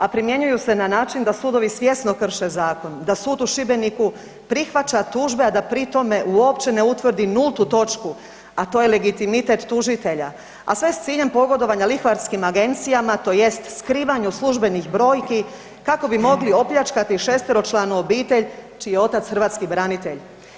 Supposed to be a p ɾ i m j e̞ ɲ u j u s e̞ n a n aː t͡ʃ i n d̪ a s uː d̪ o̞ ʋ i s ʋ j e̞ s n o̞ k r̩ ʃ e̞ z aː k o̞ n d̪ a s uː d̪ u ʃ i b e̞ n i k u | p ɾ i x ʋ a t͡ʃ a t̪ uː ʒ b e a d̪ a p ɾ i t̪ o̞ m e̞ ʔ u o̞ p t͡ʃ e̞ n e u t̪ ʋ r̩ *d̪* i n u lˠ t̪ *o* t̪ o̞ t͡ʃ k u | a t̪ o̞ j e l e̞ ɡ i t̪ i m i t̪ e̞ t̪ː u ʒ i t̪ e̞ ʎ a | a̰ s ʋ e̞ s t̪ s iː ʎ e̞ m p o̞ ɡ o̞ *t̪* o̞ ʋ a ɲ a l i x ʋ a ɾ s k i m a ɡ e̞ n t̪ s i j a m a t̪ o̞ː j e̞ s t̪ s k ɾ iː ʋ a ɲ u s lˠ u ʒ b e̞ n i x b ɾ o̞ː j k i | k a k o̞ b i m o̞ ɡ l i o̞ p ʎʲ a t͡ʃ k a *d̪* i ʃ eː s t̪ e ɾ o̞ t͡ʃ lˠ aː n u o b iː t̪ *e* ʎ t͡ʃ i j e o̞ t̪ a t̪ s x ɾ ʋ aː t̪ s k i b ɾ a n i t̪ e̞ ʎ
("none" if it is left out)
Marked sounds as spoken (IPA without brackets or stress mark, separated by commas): d̪, u, d̪, t̪, e